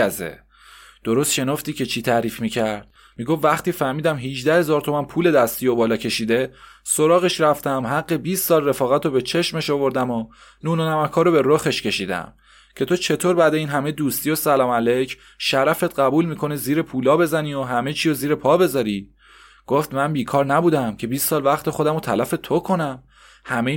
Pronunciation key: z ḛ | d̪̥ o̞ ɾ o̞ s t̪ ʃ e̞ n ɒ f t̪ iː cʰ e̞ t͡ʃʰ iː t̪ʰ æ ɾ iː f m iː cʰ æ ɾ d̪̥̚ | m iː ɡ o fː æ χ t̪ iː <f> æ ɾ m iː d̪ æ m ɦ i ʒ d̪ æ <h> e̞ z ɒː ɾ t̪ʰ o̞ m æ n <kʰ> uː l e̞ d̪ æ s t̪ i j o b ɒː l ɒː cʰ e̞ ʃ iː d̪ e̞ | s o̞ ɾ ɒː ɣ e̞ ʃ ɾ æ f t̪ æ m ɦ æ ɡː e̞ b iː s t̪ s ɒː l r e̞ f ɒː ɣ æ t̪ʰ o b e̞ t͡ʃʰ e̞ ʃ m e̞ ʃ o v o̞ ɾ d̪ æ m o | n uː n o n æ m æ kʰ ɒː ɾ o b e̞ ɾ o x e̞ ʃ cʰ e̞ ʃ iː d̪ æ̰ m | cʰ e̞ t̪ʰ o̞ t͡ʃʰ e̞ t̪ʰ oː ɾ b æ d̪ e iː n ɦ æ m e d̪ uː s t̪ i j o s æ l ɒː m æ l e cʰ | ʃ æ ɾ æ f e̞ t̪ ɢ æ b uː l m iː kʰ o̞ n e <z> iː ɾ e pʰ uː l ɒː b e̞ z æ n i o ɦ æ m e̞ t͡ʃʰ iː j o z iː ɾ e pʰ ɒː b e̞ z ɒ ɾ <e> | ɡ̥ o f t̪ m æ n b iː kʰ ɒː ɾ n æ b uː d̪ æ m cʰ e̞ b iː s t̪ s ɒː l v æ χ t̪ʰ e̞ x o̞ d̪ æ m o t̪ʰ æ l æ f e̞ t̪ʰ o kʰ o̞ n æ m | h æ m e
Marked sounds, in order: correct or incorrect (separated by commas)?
correct, correct, incorrect, correct, incorrect